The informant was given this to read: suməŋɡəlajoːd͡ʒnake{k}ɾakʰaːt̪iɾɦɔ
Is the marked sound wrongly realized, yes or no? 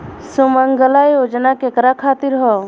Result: no